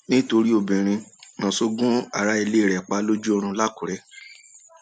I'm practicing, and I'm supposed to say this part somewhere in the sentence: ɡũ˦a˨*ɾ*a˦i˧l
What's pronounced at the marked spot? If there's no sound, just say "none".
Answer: ɾ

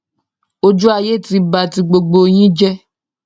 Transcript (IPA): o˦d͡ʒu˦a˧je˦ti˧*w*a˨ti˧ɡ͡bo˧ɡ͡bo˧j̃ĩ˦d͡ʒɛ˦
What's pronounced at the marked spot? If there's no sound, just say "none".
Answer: b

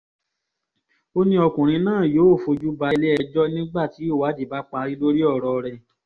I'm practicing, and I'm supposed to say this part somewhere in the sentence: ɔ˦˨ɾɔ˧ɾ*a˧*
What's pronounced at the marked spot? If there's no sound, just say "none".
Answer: ɛ˧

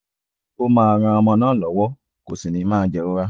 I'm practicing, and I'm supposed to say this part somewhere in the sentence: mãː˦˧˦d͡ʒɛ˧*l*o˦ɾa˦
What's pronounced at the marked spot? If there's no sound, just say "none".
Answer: ɾ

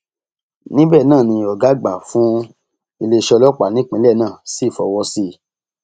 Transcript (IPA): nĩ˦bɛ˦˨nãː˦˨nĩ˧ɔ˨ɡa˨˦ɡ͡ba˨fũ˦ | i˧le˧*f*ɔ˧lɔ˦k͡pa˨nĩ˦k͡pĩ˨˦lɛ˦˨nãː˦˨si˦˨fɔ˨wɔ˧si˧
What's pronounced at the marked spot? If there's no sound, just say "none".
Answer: ʃ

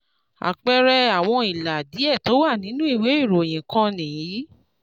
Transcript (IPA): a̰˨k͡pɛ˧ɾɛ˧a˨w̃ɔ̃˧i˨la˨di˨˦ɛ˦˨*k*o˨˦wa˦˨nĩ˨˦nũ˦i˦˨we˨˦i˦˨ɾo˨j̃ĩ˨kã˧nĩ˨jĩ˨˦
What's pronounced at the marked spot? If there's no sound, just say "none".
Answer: t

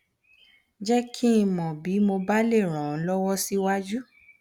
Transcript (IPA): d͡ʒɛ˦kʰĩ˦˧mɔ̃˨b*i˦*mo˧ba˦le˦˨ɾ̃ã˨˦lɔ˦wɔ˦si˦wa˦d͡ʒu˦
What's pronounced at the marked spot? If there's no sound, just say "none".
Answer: i˨˦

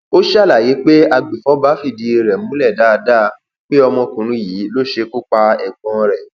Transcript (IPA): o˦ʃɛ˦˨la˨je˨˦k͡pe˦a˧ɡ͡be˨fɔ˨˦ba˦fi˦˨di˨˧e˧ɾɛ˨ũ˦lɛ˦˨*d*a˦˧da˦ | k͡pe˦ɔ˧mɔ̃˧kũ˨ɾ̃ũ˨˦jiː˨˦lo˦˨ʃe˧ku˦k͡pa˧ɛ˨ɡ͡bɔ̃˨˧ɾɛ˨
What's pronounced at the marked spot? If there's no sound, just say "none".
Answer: d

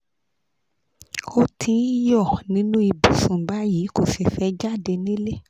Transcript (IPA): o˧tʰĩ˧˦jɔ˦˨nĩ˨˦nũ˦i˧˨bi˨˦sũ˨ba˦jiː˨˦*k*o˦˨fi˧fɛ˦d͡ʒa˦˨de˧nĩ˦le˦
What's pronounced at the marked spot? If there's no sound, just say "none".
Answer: k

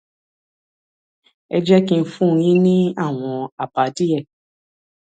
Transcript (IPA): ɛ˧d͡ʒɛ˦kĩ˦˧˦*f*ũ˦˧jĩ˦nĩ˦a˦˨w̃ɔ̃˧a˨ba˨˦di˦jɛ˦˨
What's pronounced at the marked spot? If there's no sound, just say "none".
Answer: f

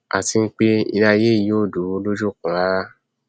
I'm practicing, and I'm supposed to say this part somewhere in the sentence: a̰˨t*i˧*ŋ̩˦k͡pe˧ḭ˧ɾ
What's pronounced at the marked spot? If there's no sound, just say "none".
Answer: i˧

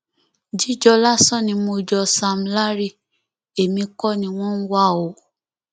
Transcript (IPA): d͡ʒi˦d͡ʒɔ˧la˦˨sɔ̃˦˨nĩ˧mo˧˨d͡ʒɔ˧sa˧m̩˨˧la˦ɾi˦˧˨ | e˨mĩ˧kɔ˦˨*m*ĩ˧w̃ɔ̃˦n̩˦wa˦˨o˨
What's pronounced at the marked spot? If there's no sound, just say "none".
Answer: n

